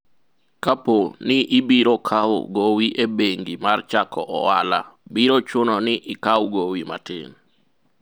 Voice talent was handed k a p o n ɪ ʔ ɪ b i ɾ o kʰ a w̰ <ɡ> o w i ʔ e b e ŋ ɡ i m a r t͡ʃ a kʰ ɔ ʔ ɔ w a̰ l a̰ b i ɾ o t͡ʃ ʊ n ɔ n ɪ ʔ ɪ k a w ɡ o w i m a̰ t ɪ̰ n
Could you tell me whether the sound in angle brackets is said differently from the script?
no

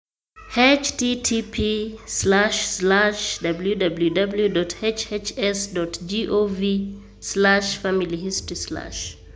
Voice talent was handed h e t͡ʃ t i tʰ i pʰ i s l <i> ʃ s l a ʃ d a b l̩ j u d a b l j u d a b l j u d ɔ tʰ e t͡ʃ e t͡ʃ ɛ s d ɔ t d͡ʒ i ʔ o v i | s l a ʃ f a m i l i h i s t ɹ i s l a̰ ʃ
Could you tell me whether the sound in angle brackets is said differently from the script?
yes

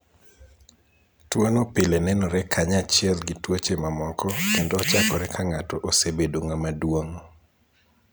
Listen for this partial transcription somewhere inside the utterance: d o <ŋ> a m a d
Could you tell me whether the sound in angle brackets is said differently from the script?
no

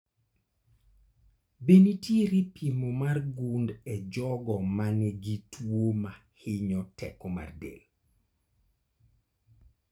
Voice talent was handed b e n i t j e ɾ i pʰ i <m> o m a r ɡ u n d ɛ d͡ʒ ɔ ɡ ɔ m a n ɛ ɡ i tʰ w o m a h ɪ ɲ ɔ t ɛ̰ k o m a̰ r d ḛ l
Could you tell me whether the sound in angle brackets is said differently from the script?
no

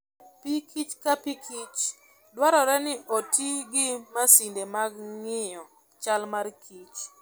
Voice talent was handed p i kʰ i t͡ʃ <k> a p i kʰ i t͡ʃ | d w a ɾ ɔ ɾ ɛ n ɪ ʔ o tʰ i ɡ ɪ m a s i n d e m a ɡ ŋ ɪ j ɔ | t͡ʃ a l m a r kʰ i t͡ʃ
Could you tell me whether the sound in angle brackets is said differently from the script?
no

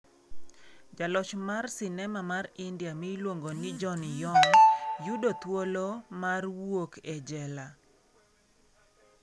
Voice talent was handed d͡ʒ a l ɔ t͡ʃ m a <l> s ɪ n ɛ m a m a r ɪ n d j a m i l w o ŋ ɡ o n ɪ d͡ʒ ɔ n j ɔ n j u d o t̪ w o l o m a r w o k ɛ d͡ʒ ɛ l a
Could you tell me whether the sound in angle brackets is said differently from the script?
yes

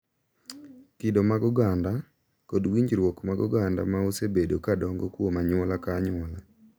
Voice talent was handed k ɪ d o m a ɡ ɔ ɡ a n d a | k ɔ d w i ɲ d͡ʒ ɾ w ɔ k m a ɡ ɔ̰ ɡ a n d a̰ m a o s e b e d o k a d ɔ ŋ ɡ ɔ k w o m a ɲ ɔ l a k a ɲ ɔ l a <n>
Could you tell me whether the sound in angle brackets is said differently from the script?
yes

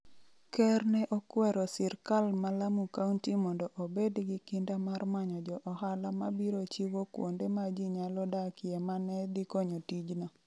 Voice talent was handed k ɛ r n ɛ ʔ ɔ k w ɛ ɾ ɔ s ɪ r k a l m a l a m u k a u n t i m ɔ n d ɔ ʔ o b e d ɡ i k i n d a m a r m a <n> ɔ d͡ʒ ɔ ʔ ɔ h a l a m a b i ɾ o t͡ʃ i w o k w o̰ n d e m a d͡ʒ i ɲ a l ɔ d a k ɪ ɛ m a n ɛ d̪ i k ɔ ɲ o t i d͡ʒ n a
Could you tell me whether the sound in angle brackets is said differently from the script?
yes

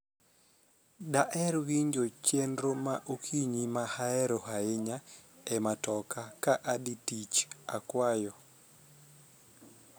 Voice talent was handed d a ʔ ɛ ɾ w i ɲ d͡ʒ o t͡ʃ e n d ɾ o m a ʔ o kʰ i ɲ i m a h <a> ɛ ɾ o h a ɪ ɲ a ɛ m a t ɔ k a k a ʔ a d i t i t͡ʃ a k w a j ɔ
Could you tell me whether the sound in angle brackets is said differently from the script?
no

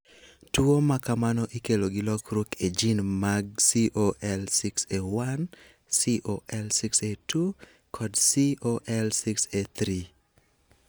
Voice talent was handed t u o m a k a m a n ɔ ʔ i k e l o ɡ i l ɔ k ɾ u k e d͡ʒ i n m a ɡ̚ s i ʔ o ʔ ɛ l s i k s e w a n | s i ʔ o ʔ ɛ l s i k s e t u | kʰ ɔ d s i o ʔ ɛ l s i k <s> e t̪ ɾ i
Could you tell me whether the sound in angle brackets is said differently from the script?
no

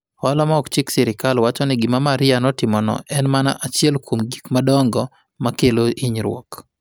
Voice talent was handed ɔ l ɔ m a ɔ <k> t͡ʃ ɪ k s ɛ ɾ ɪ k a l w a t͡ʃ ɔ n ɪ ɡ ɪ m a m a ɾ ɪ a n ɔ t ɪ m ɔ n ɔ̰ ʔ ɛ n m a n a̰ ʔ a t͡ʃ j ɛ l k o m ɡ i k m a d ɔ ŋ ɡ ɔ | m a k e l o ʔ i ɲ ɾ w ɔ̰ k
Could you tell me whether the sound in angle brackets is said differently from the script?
no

